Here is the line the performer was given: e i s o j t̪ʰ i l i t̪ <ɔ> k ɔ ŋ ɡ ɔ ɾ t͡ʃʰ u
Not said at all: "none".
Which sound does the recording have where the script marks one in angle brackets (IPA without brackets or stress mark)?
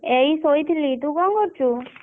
u